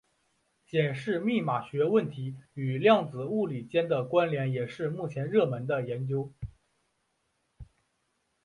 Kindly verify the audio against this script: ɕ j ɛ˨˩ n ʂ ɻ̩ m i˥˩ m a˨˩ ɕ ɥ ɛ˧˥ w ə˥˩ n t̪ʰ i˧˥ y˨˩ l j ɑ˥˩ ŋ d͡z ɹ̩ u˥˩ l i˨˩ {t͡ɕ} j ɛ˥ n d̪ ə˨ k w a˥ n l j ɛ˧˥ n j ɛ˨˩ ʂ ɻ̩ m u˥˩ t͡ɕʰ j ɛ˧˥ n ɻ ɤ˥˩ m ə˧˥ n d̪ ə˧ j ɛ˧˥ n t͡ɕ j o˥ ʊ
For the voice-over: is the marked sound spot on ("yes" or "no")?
yes